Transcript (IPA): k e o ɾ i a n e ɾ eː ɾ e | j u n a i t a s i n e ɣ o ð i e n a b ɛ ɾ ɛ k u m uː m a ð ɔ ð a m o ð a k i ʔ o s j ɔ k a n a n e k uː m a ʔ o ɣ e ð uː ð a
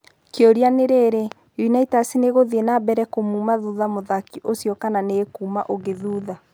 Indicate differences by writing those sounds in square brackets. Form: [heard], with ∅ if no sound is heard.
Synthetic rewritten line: k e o ɾ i a n e ɾ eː ɾ e | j u n a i t a s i n e ɣ o ð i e n a b ɛ ɾ ɛ k [o] m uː m a ð [u] ð a m o ð a k i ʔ o s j ɔ k a n a n e k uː m a ʔ o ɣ e ð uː ð a